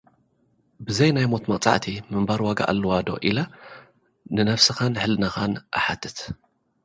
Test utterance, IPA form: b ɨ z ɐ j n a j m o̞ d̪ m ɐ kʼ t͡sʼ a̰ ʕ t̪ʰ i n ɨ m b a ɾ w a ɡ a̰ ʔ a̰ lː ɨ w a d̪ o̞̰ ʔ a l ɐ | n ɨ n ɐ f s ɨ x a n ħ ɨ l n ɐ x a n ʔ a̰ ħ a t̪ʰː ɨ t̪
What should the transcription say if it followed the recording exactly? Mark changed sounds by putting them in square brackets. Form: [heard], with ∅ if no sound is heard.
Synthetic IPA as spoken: b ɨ z ɐ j n a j m o̞ [t̪] m ɐ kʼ t͡sʼ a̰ ʕ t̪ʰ i [m] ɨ m b a ɾ w a ɡ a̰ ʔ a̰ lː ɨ w a d̪ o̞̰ ʔ [i] l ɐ | n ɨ n ɐ f s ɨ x a n ħ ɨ l n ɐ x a n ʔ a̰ ħ a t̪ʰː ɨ t̪